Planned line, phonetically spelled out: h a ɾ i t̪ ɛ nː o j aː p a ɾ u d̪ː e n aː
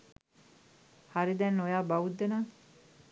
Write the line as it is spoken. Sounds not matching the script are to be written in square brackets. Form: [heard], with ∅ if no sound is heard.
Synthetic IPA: h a ɾ i [d̪] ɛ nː o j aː [b] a [∅] u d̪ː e n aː